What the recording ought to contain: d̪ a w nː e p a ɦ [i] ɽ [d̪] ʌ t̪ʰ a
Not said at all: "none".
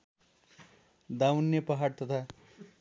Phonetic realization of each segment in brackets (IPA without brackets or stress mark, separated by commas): a, t̪